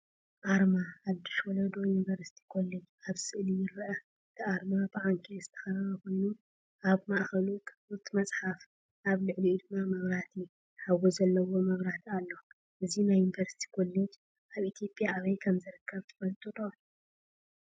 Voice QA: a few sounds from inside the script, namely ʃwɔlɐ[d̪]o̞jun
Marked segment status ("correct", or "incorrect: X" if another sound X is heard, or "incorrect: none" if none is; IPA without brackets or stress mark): correct